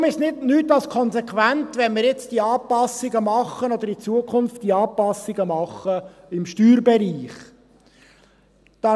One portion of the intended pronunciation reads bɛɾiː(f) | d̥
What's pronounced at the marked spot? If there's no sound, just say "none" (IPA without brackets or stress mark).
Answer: χ